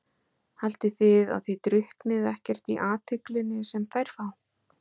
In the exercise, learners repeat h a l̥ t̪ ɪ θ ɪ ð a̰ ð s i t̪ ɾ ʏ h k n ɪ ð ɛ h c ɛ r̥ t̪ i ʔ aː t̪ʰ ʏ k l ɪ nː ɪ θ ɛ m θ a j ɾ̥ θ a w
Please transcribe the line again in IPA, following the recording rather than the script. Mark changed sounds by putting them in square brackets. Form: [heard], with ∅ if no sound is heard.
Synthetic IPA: h a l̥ t̪ ɪ θ ɪ ð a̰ ð [θ] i t̪ ɾ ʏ h k n ɪ ð ɛ h c ɛ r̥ t̪ i ʔ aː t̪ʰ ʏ k l ɪ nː ɪ [s] ɛ m θ a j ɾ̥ [f] a w